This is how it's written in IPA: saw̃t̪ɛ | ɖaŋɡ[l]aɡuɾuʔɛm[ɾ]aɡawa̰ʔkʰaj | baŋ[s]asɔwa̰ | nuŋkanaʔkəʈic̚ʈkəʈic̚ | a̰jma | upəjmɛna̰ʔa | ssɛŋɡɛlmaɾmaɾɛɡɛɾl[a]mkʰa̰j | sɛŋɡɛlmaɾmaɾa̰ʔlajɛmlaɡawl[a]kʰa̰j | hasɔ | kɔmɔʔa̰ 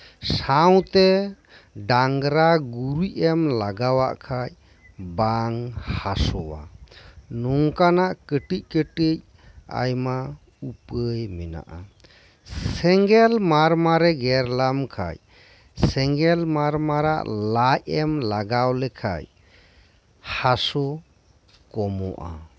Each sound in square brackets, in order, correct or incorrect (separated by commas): incorrect, incorrect, incorrect, correct, incorrect